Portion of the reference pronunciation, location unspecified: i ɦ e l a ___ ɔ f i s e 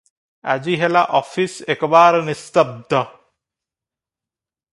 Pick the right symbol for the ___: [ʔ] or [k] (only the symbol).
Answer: ʔ